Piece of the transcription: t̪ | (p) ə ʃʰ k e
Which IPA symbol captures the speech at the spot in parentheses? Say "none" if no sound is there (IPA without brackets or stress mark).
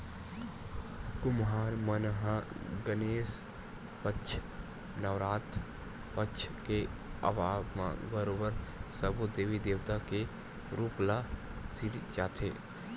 p